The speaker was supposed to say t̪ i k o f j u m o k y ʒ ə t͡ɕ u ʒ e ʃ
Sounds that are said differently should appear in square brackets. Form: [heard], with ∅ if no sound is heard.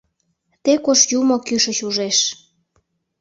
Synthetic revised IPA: t̪ [e] k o [ʃ] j u m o k y [ʃ] ə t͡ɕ u ʒ e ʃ